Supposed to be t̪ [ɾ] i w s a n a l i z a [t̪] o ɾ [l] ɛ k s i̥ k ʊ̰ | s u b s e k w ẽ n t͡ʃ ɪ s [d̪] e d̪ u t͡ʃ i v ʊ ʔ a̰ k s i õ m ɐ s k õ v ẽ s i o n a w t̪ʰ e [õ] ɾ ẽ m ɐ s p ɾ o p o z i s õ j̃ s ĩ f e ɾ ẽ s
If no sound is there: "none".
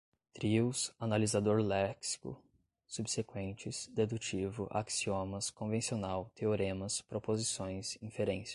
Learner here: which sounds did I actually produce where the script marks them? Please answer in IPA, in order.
ɾ, d̪, l, d̪, o

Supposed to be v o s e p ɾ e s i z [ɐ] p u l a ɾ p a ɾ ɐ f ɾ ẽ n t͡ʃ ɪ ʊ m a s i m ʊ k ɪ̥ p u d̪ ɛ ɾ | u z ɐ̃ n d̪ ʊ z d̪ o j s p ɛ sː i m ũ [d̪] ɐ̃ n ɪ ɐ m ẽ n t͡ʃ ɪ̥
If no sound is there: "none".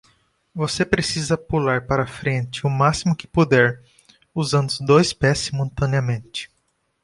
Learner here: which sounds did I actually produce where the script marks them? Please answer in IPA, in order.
ɐ, t̪

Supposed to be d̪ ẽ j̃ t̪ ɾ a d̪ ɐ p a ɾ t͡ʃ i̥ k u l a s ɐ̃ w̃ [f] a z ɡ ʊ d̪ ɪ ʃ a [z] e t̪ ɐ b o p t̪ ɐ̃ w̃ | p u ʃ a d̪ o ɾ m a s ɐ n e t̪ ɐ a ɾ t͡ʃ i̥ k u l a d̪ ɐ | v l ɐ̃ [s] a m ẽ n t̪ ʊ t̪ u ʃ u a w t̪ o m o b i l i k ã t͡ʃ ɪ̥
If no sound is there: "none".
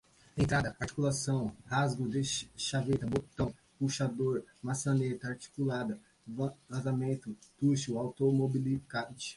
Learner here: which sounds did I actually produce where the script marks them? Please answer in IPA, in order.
h, v, z

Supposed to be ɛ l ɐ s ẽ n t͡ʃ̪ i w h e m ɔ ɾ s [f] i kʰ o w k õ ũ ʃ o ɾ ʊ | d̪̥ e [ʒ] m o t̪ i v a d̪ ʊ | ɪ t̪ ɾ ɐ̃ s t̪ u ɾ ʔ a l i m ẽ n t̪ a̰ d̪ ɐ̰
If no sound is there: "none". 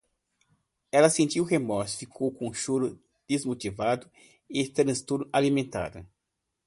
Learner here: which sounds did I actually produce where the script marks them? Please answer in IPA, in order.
f, z

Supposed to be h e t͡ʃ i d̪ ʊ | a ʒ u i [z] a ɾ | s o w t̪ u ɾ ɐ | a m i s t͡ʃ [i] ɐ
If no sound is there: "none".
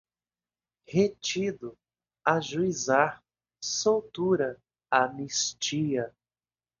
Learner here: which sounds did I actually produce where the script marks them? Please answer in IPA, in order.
z, i

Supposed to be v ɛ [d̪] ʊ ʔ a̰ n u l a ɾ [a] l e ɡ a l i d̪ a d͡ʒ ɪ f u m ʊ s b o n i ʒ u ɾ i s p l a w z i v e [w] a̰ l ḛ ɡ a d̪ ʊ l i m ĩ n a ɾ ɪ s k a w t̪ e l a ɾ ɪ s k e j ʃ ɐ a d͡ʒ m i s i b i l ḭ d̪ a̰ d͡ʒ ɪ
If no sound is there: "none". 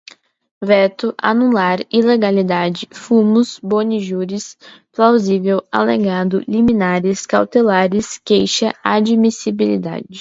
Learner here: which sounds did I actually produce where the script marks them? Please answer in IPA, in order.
t̪, i, w

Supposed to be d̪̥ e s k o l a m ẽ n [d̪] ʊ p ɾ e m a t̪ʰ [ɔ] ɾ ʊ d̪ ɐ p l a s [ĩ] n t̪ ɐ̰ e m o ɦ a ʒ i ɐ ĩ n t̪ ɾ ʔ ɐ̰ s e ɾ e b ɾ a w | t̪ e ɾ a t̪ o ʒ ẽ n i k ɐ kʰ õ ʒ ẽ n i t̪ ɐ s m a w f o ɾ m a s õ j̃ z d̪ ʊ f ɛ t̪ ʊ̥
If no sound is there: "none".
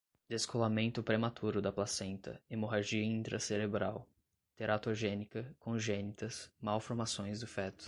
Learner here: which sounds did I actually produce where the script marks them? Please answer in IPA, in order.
t̪, u, ẽ

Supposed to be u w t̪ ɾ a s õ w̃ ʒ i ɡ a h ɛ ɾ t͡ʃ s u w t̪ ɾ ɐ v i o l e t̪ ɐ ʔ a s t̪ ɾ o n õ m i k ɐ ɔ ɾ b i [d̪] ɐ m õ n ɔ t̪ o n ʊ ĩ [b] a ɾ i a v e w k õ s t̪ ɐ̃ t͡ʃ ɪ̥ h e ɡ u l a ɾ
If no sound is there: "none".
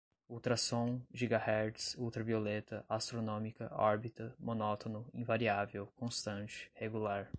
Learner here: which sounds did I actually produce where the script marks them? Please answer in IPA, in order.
t̪, v

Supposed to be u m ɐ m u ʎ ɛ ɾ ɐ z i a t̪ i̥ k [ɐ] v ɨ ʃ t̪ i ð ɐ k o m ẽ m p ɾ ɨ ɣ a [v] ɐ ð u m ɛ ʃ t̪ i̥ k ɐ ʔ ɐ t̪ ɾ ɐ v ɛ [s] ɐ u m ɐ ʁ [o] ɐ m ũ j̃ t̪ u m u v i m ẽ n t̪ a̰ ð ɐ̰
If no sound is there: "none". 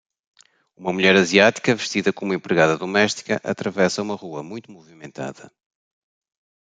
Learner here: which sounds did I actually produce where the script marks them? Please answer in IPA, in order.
ɐ, ð, s, u

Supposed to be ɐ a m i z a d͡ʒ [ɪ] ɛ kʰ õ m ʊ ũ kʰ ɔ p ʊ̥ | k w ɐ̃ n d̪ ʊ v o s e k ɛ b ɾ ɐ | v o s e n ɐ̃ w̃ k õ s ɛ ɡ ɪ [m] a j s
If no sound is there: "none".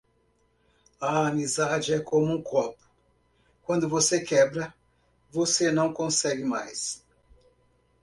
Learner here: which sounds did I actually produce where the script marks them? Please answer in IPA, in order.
ɪ, m

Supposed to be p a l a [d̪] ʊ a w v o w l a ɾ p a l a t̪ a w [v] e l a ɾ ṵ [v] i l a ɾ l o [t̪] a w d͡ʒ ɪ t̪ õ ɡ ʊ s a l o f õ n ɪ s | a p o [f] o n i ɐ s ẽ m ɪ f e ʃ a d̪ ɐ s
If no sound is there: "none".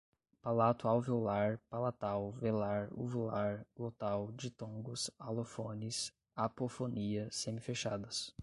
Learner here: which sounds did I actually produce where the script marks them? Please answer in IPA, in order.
t̪, v, v, t̪, f

